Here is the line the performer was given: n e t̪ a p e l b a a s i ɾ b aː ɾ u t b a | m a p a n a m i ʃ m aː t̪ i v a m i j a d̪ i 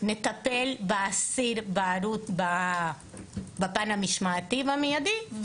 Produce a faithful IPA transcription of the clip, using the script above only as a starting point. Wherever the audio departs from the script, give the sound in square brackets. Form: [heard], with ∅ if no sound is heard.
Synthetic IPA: n e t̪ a p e l b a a s i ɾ b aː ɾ u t b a | [b] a p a n a m i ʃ m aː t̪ i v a m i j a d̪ i